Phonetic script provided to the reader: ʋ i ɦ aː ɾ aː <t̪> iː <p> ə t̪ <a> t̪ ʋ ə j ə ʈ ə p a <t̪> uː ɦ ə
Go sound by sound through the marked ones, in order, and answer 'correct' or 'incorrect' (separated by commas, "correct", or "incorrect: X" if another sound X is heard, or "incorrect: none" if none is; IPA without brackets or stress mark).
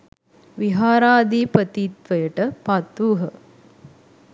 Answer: incorrect: d̪, correct, incorrect: i, correct